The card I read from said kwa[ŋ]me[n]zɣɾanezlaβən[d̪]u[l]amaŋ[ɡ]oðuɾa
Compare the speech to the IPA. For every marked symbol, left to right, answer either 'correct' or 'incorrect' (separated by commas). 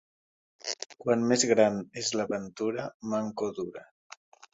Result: incorrect, incorrect, incorrect, incorrect, incorrect